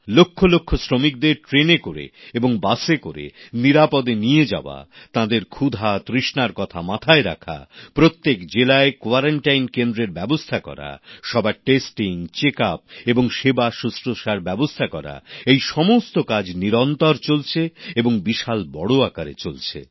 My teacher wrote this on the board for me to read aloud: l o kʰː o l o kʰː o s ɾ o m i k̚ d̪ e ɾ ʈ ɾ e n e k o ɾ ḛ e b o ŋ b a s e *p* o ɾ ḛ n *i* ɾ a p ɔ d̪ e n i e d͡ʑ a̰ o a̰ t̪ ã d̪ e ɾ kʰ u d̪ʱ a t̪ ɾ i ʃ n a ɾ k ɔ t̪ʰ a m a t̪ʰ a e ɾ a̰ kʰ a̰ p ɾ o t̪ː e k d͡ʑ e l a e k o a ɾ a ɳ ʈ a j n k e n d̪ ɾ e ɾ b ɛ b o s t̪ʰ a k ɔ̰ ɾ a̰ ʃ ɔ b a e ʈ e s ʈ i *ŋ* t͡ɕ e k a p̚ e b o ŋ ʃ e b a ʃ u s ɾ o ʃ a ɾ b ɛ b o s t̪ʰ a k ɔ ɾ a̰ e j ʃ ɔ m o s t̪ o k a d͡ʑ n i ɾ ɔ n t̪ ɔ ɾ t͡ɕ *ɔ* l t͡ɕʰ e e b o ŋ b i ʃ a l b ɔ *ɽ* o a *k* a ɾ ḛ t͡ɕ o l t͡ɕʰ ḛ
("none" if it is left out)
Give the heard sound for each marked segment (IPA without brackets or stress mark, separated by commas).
k, i, ŋ, o, ɽ, k